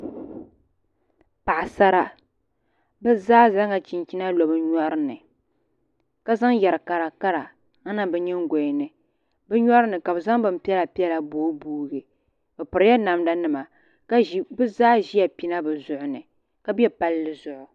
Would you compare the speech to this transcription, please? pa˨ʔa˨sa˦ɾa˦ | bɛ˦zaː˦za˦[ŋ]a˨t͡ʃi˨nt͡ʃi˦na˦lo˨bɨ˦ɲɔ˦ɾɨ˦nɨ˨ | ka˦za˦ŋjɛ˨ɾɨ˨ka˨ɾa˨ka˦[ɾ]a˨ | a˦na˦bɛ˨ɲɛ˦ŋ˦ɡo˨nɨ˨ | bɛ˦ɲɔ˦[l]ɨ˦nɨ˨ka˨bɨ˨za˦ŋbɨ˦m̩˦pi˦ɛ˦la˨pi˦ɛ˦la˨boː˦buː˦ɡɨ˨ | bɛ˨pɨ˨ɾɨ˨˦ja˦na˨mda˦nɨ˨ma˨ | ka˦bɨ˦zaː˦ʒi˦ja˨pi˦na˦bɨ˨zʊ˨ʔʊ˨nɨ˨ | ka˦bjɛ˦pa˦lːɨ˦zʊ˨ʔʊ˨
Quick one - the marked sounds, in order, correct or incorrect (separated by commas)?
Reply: correct, correct, incorrect